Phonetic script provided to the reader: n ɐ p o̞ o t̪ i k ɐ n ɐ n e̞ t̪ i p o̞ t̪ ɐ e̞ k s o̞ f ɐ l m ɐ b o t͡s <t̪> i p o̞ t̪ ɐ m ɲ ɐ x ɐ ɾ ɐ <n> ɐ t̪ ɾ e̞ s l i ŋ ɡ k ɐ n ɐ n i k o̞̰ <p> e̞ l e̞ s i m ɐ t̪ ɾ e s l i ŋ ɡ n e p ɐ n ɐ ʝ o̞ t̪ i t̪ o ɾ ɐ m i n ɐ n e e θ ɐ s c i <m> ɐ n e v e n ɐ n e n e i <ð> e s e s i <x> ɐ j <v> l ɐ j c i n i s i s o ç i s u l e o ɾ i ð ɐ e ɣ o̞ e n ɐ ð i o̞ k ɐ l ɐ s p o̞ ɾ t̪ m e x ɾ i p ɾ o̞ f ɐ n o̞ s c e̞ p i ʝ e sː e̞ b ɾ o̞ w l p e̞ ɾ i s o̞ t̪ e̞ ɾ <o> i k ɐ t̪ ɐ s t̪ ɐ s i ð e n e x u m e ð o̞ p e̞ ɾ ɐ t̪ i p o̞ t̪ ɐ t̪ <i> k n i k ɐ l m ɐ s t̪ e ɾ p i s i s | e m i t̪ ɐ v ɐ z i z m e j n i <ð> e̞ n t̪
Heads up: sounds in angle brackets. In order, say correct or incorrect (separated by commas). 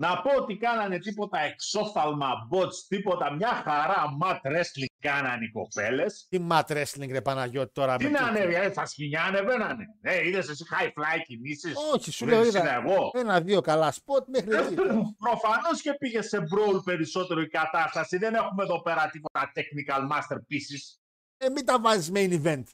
correct, incorrect, correct, incorrect, correct, correct, incorrect, correct, incorrect, incorrect